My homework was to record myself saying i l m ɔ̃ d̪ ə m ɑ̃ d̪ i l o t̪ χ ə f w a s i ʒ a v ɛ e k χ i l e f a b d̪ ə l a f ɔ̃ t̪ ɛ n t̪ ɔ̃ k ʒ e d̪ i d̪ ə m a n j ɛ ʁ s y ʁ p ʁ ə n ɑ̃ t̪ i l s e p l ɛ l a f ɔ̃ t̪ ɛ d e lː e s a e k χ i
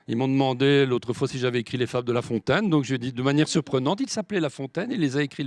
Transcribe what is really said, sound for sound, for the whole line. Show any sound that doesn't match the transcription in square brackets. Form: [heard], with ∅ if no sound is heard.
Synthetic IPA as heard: i l m ɔ̃ d̪ ə m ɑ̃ d̪ [e] l o t̪ χ ə f w a s i ʒ a v ɛ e k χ i l e f a b d̪ ə l a f ɔ̃ t̪ ɛ n [d̪] ɔ̃ k ʒ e d̪ i d̪ ə m a n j ɛ ʁ s y ʁ p [χ] ə n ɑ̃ t̪ i l s [a] p l ɛ l a f ɔ̃ t̪ ɛ [n] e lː e [z] a e k χ i